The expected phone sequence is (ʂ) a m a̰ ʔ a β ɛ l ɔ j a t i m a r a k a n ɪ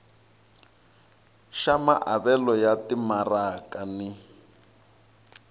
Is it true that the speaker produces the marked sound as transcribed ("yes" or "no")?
no